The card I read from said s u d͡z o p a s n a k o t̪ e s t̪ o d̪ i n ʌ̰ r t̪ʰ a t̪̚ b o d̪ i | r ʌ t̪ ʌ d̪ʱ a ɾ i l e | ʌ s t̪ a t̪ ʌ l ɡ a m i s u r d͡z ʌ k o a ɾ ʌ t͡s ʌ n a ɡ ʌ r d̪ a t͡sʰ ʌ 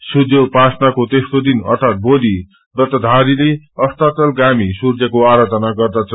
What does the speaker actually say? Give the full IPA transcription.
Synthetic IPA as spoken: s u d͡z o p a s n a k o t̪ e s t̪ o d̪ i n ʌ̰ r t̪ʰ a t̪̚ b o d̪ i | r ʌ t̪ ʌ d̪ʱ a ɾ i l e | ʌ s t̪ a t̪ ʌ l ɡ a m i s u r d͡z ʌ k o a ɾ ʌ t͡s ʌ n a ɡ ʌ r d̪ a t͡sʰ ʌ